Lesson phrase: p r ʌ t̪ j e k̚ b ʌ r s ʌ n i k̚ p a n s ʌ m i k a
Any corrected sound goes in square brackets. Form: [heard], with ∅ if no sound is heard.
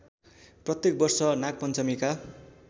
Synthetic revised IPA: p r ʌ t̪ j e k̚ b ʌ r s ʌ n [a] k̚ p [ʌ] n [t͡s] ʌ m i k a